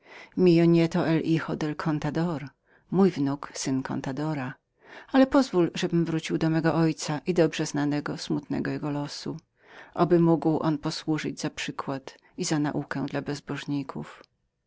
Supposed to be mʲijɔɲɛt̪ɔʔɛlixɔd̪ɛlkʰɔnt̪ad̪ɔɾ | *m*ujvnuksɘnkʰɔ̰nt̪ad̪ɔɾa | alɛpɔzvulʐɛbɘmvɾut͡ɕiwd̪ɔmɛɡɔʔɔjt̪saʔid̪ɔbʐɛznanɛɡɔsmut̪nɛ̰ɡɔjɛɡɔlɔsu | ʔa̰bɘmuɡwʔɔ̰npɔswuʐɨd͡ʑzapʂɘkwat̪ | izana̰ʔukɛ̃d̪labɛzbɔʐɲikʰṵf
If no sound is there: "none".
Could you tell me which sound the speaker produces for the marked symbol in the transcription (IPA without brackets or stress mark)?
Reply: m